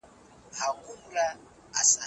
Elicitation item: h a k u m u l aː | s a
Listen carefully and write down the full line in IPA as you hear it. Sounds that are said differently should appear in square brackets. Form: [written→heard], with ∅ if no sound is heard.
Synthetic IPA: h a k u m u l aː | s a